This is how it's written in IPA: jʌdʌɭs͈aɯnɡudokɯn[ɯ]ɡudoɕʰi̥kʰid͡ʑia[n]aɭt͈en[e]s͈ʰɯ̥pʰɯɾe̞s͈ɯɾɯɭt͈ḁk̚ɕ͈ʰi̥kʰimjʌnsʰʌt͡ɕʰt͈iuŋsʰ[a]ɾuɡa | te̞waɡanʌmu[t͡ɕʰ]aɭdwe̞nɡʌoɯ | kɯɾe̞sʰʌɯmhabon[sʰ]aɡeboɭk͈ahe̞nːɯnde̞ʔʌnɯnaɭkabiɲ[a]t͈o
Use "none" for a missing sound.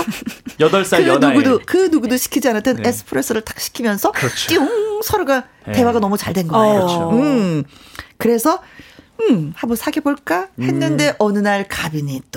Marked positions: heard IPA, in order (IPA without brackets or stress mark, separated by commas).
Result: u, n, e, ʌ, t͡ɕ, sʰ, i